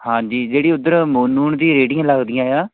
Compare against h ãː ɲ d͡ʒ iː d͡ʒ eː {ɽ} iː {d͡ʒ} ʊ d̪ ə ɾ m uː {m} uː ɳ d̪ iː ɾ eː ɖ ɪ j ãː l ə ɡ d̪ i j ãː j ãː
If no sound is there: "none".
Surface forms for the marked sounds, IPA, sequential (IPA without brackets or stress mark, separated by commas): ɽ, none, n